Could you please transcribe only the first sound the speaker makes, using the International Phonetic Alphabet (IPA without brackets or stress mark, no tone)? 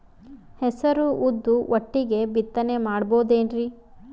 h